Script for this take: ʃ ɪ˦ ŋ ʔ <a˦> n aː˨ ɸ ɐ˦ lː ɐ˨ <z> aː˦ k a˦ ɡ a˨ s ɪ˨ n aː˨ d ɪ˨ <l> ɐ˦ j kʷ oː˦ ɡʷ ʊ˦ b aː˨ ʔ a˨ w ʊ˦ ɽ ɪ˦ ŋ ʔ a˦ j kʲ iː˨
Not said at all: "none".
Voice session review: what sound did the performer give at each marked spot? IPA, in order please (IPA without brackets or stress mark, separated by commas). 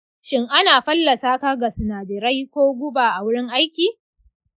a˦, s, ɾ